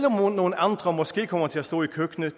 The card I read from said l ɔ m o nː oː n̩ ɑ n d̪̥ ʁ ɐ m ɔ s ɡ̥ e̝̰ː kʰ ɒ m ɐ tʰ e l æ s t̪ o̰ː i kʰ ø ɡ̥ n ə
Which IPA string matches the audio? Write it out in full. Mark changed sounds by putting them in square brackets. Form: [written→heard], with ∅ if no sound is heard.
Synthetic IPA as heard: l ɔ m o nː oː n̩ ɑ n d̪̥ ʁ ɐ m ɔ s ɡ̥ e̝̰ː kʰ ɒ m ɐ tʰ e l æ s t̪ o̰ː i kʰ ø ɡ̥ n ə